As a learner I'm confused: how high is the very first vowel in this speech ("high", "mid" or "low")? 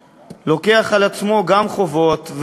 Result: mid